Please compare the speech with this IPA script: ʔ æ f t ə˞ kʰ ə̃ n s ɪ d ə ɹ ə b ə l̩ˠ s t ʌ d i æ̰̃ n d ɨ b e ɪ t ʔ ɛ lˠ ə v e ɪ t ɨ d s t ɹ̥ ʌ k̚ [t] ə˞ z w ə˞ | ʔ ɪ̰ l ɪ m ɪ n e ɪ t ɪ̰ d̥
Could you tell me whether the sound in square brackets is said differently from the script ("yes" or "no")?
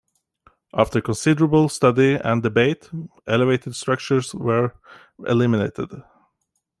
yes